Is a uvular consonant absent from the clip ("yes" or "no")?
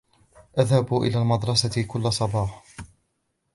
yes